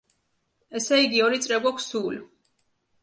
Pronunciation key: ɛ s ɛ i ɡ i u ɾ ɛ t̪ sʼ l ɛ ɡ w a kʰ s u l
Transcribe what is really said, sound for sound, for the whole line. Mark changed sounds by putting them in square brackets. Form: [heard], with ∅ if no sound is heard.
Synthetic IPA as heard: ɛ s ɛ i ɡ i [ɔ] ɾ [i] t̪ sʼ [ɾ] ɛ ɡ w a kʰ s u l